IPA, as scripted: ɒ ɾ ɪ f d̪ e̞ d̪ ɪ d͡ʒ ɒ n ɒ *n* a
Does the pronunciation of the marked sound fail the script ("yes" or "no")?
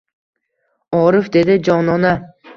no